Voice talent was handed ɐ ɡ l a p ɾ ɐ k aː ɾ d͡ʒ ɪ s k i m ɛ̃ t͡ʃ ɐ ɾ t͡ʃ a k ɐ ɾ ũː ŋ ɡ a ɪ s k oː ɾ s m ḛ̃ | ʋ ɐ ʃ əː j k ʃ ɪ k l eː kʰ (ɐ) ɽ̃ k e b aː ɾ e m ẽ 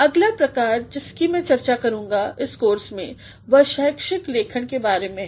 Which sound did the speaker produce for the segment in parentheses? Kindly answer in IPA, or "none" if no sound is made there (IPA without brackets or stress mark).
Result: ə